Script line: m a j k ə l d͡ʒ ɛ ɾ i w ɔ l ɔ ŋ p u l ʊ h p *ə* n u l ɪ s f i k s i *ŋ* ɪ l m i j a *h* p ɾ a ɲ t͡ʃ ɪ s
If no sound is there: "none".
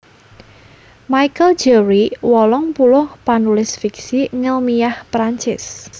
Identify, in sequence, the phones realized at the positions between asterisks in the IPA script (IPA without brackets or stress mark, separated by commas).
a, ŋ, h